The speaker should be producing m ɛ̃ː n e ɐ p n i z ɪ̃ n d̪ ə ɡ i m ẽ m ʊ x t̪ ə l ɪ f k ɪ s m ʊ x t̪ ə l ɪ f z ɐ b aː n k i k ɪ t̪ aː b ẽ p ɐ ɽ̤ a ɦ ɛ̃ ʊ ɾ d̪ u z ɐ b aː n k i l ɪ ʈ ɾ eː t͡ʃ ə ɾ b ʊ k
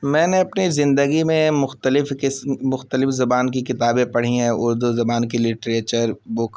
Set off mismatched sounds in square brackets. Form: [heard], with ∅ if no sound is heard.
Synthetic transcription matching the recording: m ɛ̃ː n e ɐ p n i z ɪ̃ n d̪ ə ɡ i m ẽ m ʊ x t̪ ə l ɪ f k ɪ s m ʊ x t̪ ə l ɪ f z ɐ b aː n k i k ɪ t̪ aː b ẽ p ɐ ɽ̤ [i] ɦ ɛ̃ ʊ ɾ d̪ u z ɐ b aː n k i l ɪ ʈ ɾ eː t͡ʃ ə ɾ b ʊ k